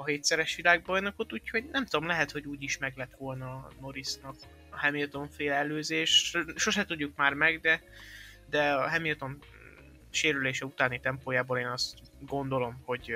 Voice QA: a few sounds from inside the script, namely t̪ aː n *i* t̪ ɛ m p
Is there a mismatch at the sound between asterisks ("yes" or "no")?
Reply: no